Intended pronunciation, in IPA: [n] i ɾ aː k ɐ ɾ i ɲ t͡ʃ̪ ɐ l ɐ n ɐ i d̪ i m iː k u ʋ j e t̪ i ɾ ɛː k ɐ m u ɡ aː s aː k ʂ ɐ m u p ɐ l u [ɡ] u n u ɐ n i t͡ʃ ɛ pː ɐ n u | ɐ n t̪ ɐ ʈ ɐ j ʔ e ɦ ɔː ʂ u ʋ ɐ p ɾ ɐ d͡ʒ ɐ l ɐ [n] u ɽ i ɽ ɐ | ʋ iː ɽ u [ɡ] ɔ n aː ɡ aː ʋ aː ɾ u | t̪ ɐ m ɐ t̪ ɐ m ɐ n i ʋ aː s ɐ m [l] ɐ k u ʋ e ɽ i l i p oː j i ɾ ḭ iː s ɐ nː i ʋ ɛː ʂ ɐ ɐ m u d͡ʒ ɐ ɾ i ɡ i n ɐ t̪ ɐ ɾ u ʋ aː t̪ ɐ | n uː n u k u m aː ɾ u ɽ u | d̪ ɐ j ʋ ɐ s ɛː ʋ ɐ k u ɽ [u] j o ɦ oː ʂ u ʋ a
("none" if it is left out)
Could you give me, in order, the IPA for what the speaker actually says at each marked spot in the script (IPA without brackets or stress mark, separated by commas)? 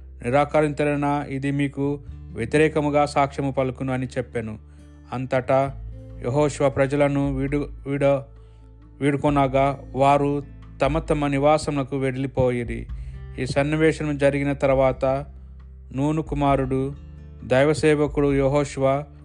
n, k, n, k, l, u